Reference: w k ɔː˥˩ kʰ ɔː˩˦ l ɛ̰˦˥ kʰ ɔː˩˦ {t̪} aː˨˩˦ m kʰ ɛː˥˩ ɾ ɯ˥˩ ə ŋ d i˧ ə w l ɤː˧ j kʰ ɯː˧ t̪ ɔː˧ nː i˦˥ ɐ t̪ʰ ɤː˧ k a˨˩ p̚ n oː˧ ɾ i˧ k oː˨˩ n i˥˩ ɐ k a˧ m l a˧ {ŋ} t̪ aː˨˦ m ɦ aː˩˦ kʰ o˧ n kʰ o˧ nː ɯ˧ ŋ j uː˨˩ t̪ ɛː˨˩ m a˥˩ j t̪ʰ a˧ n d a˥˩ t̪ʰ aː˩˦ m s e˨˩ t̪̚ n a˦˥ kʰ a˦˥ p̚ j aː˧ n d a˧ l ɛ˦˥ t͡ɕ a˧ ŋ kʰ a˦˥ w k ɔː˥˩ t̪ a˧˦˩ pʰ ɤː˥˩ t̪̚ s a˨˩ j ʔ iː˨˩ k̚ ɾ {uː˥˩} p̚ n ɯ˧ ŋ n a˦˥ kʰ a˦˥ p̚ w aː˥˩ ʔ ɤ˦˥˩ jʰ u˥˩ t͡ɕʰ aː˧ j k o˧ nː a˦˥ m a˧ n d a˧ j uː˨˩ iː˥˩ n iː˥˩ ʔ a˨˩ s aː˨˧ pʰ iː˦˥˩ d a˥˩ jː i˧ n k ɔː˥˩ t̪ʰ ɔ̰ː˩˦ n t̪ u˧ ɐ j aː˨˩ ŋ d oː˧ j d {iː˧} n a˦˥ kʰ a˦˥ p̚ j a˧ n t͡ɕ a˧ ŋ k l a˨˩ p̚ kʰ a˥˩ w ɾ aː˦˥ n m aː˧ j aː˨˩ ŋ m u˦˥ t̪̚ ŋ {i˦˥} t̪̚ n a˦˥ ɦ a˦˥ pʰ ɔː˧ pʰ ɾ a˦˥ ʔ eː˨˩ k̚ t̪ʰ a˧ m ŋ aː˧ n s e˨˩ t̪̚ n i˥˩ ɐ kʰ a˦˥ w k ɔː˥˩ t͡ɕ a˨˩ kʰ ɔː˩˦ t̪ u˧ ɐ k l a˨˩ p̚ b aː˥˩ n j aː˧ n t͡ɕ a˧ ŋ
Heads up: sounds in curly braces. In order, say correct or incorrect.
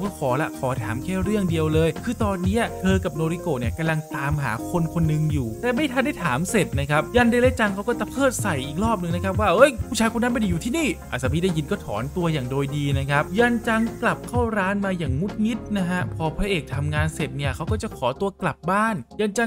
incorrect, correct, incorrect, correct, correct

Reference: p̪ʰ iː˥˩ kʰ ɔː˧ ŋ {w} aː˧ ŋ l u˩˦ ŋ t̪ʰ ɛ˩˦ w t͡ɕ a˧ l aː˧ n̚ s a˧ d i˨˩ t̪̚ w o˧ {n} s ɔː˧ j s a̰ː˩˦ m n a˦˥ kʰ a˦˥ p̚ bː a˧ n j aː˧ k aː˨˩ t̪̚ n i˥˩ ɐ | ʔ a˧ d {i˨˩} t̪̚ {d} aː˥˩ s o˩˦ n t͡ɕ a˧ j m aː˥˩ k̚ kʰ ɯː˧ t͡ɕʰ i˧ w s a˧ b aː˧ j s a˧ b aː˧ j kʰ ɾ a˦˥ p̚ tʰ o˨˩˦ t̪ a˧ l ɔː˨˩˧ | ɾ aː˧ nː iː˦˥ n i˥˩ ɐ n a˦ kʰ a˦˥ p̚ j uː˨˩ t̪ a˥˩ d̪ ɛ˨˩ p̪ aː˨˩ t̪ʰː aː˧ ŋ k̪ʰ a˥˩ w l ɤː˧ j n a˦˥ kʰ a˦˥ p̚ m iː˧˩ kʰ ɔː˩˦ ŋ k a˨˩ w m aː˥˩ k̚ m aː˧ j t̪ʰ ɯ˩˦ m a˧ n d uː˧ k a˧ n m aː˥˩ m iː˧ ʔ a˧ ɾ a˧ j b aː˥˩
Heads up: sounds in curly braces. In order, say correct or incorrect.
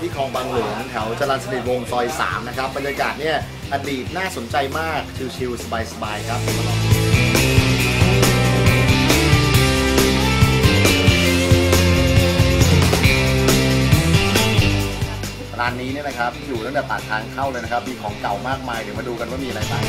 incorrect, incorrect, incorrect, incorrect

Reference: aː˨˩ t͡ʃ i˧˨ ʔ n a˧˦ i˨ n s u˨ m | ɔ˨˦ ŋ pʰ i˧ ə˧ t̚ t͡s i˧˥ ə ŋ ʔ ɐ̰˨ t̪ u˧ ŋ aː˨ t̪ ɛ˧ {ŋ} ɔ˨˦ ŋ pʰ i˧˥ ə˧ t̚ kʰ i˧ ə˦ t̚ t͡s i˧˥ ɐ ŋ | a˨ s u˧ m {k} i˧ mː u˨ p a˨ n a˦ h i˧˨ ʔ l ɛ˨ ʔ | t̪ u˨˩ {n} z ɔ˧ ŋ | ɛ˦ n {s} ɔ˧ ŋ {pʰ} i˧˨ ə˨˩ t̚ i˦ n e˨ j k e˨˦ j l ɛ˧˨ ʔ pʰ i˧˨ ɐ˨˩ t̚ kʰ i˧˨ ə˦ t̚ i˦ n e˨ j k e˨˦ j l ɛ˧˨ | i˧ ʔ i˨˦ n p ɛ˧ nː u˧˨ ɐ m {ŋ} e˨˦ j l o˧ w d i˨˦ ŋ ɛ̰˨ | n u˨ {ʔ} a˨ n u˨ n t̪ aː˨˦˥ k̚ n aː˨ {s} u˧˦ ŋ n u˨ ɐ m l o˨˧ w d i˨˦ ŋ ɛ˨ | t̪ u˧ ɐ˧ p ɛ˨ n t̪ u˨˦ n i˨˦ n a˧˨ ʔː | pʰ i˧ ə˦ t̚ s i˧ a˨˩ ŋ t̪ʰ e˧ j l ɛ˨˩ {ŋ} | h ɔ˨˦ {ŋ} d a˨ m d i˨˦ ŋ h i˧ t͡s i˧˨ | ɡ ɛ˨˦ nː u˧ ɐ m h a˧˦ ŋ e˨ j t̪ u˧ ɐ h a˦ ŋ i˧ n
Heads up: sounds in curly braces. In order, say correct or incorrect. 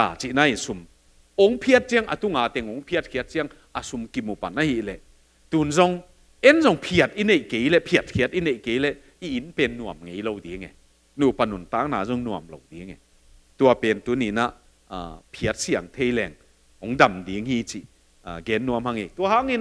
correct, correct, correct, incorrect, correct, correct, incorrect, incorrect, correct, correct

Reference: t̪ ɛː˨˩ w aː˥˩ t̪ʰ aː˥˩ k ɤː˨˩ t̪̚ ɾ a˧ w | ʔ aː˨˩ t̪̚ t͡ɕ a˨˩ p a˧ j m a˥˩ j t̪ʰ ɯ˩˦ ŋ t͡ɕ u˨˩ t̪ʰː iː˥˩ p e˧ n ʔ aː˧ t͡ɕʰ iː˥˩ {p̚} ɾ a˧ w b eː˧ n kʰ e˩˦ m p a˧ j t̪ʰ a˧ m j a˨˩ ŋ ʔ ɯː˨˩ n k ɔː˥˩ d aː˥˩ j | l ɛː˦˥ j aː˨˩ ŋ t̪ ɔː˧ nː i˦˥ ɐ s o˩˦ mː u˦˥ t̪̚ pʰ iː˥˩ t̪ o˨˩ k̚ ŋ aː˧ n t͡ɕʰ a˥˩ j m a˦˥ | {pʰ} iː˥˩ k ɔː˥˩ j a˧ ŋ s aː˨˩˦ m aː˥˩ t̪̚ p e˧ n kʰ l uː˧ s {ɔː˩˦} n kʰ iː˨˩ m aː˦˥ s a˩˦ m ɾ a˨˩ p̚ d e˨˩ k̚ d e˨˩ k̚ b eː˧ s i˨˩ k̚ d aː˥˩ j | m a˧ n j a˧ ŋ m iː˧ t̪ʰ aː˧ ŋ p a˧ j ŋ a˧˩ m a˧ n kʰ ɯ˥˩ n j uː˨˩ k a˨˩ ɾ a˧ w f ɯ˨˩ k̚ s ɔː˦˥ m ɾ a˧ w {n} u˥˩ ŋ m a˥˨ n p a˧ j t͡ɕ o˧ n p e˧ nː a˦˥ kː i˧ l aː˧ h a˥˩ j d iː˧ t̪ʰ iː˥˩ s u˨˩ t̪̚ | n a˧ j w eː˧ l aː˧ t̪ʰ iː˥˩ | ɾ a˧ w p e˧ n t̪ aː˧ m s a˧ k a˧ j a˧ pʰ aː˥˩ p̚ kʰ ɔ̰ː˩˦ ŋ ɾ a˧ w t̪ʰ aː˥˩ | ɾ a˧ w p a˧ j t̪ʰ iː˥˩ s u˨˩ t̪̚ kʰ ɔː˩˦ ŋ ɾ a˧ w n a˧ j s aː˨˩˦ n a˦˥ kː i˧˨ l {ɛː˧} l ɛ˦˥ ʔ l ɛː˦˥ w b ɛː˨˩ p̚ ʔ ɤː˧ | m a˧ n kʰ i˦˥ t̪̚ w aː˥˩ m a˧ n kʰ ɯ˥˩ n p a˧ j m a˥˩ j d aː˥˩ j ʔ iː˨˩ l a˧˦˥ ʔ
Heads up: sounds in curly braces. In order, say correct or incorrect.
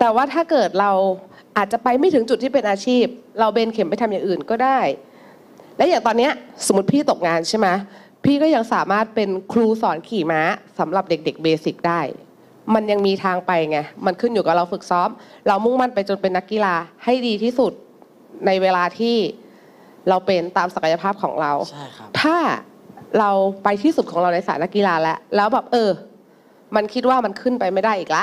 correct, correct, correct, incorrect, incorrect

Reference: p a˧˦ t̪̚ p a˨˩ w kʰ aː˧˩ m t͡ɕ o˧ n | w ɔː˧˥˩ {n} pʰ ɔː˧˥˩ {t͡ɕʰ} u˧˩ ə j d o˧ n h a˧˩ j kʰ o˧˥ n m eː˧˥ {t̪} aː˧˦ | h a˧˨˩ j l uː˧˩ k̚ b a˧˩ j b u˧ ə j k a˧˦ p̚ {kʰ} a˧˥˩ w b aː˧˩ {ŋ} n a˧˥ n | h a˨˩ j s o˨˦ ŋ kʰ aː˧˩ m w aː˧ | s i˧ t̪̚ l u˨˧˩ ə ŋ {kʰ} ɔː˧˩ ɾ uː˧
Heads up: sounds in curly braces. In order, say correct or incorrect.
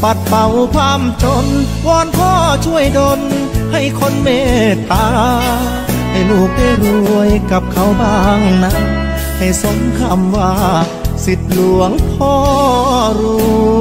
correct, correct, correct, correct, correct, incorrect

